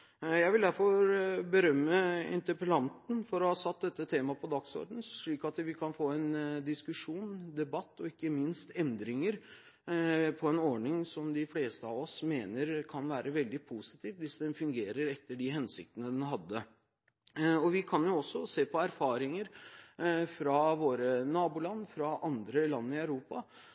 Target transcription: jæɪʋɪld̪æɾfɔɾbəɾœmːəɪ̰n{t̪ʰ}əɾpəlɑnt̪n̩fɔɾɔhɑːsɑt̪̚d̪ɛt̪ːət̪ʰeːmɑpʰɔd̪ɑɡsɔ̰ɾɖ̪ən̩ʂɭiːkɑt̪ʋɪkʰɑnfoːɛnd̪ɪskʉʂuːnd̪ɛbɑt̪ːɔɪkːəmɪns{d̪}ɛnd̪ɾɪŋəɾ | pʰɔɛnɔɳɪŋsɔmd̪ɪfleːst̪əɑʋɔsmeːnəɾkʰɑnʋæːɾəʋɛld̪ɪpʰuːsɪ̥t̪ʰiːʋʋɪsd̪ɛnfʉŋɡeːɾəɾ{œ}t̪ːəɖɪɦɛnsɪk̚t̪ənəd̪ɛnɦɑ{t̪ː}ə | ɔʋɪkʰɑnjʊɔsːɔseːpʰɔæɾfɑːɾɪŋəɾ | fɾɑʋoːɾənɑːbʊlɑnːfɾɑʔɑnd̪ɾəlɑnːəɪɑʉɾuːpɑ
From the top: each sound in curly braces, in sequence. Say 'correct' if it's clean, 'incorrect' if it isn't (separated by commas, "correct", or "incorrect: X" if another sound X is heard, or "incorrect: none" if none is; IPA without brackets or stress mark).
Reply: incorrect: t̪, incorrect: t̪, incorrect: ɛ, incorrect: d̪ː